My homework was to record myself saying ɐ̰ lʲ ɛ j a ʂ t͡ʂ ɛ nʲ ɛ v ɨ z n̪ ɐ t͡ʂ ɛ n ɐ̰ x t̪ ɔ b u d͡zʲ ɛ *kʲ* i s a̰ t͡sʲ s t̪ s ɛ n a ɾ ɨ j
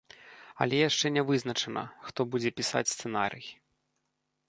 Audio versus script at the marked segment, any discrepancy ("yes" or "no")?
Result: yes